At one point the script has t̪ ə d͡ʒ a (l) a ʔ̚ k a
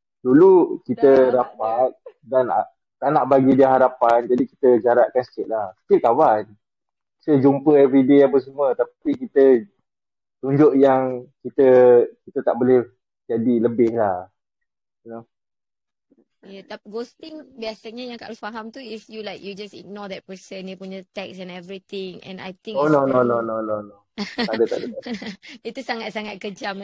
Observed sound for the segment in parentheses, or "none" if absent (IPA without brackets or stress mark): ɾ